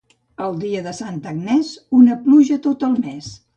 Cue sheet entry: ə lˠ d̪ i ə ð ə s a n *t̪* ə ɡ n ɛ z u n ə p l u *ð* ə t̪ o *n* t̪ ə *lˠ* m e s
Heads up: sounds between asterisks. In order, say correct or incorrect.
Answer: correct, incorrect: ʒ, incorrect: none, correct

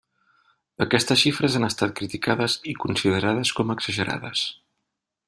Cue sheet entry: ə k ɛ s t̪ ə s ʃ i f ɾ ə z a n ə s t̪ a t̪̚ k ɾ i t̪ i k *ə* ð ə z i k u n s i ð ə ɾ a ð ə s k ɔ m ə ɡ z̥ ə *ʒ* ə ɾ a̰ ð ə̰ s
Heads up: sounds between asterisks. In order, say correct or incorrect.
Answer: incorrect: a, correct

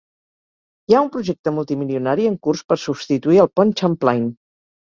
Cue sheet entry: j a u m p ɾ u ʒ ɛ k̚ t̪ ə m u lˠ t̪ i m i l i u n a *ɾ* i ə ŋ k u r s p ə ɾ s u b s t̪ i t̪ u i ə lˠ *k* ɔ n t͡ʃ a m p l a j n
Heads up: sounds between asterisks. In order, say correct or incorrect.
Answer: correct, incorrect: p

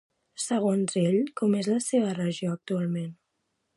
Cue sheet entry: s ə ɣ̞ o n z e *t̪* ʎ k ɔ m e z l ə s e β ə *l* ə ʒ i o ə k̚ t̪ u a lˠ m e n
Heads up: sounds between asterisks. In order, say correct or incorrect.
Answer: incorrect: none, incorrect: r

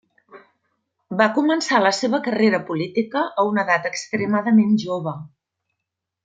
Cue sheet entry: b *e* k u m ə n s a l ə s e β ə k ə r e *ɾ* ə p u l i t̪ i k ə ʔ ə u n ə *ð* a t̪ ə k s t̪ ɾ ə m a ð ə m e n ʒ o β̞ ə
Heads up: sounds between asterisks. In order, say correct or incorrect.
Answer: incorrect: a, correct, correct

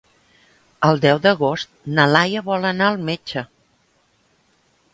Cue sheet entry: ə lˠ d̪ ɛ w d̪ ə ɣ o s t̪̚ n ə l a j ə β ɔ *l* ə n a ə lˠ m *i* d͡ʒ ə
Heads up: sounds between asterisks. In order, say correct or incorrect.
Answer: correct, incorrect: e

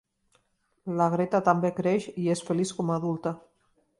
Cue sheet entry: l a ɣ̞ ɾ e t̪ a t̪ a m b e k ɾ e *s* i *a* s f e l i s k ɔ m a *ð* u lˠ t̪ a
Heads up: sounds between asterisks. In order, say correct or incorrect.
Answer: incorrect: ʃ, incorrect: e, correct

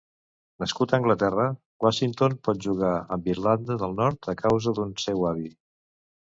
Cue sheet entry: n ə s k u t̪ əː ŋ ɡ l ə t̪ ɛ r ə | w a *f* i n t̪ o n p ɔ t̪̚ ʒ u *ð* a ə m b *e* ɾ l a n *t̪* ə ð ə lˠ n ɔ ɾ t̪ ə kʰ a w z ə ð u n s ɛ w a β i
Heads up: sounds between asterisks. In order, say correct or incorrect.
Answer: incorrect: ʃ, incorrect: ɣ, incorrect: i, incorrect: d̪

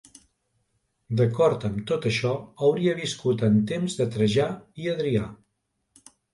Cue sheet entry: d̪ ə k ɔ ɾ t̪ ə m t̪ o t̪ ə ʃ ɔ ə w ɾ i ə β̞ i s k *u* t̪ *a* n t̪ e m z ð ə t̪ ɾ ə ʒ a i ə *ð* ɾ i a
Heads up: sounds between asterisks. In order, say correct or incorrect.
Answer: correct, incorrect: ə, correct

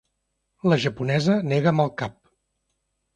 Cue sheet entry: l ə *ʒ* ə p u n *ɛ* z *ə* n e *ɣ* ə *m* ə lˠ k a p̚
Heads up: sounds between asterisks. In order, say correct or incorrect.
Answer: correct, correct, correct, correct, correct

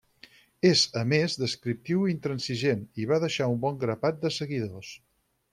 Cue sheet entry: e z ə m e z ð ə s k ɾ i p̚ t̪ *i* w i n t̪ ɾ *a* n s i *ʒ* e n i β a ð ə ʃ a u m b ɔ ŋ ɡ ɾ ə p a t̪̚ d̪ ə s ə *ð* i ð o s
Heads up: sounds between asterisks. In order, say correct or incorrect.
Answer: correct, incorrect: ə, correct, incorrect: ɣ

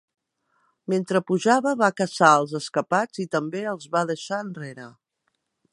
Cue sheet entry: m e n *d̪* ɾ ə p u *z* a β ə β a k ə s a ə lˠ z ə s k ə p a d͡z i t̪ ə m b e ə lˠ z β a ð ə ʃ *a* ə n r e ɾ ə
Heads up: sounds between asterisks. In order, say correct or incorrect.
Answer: incorrect: t̪, incorrect: ʒ, correct

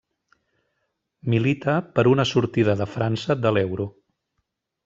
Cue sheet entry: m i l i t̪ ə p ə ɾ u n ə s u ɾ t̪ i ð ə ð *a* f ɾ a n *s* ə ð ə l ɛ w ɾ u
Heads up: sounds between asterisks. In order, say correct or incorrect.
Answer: incorrect: ə, correct

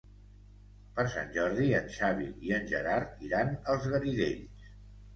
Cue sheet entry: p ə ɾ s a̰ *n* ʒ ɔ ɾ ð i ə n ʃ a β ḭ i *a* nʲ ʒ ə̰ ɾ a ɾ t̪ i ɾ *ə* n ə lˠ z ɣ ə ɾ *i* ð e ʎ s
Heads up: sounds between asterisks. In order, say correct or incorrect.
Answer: correct, incorrect: ə, incorrect: a, correct

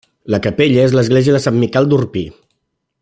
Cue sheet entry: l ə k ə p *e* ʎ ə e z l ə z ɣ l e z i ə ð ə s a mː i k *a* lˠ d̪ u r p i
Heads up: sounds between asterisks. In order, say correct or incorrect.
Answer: correct, incorrect: ɛ

